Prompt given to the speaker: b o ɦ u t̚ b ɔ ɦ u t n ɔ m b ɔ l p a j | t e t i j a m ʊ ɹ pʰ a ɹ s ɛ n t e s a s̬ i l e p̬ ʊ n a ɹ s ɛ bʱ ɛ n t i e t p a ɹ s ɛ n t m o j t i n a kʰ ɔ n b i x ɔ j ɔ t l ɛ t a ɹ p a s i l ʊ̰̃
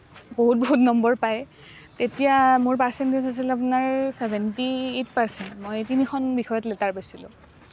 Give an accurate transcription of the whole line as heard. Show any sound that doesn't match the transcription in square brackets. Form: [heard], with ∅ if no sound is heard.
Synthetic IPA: b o ɦ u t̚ b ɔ ɦ u t n ɔ m b ɔ [ɹ] p a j | t e t i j a m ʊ ɹ [p] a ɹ s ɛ n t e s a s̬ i l [a] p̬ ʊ n a ɹ s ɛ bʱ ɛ n t i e t p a ɹ s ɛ n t m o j t i n [i] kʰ ɔ n b i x ɔ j ɔ t l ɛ t a ɹ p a s i l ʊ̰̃